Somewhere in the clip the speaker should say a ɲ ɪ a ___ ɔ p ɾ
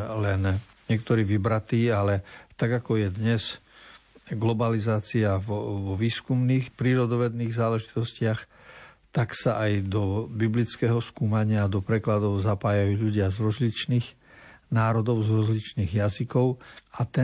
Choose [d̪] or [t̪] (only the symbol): d̪